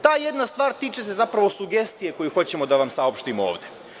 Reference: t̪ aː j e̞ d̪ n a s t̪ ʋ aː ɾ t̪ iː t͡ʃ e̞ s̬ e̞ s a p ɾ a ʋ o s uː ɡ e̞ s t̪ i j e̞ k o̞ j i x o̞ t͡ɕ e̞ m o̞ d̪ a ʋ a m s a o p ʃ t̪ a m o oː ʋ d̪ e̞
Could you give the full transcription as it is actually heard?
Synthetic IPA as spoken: t̪ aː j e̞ d̪ n a s t̪ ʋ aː ɾ t̪ iː t͡ʃ e̞ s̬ e̞ z a p ɾ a ʋ o s u ɡ e̞ s t̪ i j e̞ k o̞ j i x o̞ t͡ɕ e̞ m o̞ d̪ a ʋ a m s a o p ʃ t̪ i m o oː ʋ d̪ e̞